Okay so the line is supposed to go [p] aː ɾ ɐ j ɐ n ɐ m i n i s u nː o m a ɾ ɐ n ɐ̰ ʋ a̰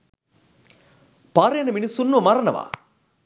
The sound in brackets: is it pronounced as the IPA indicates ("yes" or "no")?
yes